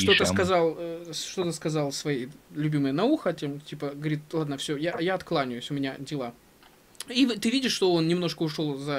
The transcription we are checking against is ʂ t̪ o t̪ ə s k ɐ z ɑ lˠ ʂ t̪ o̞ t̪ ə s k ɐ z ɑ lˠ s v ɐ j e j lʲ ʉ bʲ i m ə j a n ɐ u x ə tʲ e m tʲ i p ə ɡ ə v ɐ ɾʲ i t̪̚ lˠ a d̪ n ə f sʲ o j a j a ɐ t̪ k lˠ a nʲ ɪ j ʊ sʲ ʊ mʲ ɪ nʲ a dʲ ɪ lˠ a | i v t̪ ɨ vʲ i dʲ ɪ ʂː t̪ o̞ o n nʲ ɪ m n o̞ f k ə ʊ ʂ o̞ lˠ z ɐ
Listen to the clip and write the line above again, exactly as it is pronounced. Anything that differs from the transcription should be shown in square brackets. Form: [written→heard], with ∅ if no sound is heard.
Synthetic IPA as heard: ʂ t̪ o t̪ ə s k ɐ z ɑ lˠ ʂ t̪ o̞ t̪ ə s k ɐ z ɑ lˠ s v ɐ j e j lʲ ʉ bʲ i m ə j [a→ə] n ɐ u x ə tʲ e m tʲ i p ə ɡ ə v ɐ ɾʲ i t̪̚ lˠ a d̪ n ə f sʲ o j a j a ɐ t̪ k lˠ a nʲ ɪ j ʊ sʲ ʊ mʲ ɪ nʲ a dʲ ɪ lˠ a | i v t̪ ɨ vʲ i dʲ ɪ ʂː t̪ o̞ o n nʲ ɪ m n o̞ [f→ʂ] k ə ʊ ʂ o̞ lˠ z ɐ

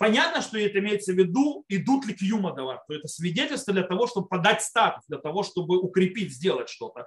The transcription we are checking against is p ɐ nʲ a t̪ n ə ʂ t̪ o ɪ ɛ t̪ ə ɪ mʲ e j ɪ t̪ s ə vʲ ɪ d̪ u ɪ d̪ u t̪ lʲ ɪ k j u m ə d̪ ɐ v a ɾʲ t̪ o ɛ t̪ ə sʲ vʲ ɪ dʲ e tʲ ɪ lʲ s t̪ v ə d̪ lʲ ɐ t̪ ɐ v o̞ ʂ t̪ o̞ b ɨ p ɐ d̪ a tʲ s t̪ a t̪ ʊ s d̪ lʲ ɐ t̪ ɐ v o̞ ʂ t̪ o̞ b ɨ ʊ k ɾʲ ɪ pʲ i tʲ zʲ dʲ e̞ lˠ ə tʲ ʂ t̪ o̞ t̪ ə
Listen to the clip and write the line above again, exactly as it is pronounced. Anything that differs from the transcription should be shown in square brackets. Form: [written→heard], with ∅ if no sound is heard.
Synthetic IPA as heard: p ɐ nʲ a t̪ n ə ʂ t̪ o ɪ ɛ t̪ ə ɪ mʲ e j ɪ t̪ s ə vʲ ɪ d̪ u ɪ d̪ u t̪ lʲ ɪ k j u m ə d̪ ɐ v a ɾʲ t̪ o ɛ t̪ ə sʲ vʲ ɪ dʲ e tʲ ɪ lʲ s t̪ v ə d̪ lʲ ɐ t̪ ɐ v o̞ ʂ t̪ o̞ b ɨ p ɐ d̪ a tʲ s t̪ a t̪ ʊ s d̪ lʲ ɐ t̪ ɐ v o̞ ʂ t̪ o̞ b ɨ ʊ k ɾʲ ɪ pʲ i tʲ zʲ dʲ e̞ lˠ ə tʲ ʂ t̪ o̞ t̪ ə

